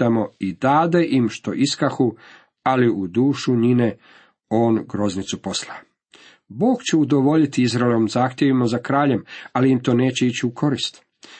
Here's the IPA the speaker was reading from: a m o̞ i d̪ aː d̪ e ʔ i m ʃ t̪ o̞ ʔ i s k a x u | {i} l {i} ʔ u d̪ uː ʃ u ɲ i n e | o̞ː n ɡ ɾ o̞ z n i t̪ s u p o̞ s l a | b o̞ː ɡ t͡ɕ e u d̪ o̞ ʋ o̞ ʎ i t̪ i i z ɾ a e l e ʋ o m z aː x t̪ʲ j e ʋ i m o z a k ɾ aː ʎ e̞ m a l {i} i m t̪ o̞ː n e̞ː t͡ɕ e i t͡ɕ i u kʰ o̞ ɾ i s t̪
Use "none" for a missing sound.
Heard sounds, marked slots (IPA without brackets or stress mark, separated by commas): a, i, i